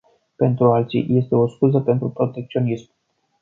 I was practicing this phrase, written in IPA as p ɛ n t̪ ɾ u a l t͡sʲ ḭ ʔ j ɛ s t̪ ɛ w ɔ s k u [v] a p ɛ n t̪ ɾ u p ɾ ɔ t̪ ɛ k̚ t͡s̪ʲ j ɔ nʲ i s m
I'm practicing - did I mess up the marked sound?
yes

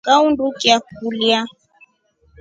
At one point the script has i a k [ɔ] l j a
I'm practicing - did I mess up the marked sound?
yes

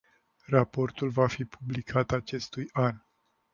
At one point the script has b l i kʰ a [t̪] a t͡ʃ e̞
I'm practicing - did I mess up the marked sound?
no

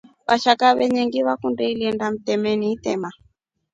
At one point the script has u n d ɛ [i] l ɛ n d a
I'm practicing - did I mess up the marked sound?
no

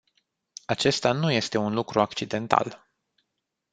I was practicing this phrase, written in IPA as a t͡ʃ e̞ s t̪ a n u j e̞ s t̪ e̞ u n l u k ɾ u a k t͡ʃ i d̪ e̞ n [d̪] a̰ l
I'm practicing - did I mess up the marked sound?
yes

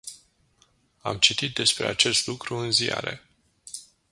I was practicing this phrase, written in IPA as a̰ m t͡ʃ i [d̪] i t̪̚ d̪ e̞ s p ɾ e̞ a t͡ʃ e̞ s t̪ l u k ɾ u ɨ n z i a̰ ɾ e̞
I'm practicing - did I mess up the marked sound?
yes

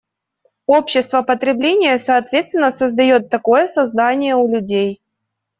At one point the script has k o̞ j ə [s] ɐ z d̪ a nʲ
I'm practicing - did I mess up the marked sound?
no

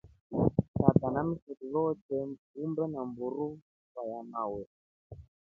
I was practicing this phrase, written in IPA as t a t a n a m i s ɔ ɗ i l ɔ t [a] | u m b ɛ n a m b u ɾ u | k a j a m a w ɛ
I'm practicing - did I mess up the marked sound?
yes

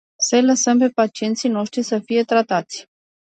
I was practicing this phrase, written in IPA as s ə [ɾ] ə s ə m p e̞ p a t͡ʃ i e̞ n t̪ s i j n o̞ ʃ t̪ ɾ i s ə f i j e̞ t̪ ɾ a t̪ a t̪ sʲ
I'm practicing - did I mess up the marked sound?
yes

